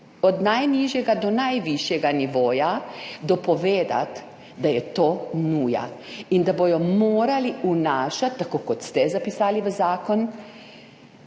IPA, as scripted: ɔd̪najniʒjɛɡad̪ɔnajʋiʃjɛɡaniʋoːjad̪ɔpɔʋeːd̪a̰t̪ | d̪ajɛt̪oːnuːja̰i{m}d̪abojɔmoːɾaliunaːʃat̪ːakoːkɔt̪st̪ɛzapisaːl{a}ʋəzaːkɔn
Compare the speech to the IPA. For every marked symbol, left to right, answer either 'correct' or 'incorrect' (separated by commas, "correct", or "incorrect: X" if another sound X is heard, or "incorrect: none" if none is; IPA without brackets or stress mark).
incorrect: n, incorrect: i